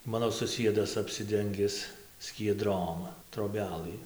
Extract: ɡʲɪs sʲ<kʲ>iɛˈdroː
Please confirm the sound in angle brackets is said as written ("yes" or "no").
yes